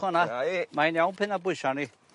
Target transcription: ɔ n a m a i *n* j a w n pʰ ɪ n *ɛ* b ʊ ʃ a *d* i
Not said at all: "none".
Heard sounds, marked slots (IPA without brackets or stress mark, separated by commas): n, a, n